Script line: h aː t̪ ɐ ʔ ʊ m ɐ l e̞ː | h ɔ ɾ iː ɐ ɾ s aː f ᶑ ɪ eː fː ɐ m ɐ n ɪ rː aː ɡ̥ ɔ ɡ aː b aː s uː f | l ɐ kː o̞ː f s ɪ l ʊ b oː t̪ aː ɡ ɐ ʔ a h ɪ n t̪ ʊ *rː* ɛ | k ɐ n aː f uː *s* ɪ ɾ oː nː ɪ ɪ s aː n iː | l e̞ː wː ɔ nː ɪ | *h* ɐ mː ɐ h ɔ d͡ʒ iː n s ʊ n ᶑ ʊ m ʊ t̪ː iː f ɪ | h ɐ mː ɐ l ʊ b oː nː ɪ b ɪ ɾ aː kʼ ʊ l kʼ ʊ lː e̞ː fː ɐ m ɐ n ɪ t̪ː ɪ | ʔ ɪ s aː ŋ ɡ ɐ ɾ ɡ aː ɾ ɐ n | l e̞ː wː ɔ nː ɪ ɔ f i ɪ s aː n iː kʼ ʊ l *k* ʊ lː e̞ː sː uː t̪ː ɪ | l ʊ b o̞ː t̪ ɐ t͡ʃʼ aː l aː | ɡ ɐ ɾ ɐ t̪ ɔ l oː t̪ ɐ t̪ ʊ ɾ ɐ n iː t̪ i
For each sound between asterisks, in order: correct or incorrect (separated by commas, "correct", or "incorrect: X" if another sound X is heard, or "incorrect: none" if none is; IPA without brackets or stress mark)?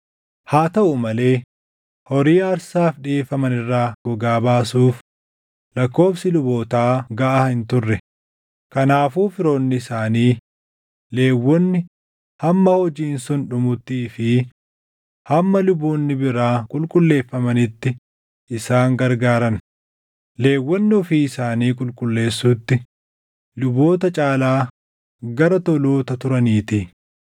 correct, incorrect: f, correct, incorrect: kʼ